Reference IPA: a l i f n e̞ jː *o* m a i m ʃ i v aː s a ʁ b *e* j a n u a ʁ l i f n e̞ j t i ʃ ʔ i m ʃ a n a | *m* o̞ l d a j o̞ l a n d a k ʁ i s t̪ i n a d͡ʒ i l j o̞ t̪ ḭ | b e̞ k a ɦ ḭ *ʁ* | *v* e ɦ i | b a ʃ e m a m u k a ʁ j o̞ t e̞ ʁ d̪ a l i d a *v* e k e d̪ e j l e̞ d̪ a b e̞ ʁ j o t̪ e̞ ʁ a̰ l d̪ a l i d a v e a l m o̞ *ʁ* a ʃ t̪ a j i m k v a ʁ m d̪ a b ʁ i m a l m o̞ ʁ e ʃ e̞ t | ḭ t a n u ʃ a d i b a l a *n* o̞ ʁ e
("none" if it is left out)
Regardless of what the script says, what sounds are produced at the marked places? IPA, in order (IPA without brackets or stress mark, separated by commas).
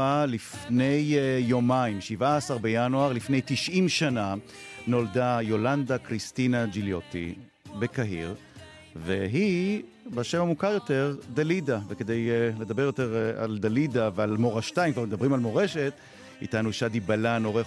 o, e, n, ʁ, v, v, ʁ, n